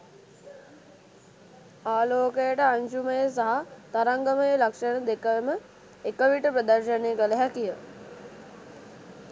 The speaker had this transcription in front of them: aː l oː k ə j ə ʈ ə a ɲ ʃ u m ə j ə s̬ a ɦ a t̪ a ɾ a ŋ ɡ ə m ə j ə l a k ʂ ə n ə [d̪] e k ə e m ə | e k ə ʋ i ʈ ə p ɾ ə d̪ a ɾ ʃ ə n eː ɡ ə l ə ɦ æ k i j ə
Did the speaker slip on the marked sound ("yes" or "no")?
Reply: no